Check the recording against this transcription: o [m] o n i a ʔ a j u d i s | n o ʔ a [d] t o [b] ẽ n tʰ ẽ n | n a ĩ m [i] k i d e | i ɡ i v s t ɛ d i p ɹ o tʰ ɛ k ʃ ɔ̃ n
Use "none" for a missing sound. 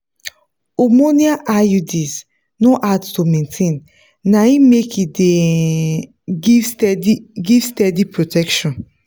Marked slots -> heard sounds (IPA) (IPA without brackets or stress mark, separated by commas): m, d, m, e